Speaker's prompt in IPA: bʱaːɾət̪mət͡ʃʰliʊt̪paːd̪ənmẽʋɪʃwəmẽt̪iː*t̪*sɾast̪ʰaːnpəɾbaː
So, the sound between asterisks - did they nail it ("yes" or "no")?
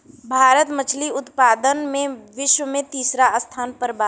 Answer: no